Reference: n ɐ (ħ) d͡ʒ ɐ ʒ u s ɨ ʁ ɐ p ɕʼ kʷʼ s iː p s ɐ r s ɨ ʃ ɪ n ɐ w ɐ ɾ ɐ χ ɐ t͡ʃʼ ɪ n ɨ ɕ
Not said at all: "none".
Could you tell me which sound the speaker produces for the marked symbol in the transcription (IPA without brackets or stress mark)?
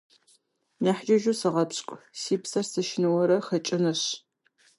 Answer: ħ